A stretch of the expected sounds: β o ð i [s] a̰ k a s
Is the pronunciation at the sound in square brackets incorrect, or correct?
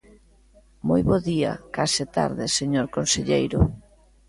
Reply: incorrect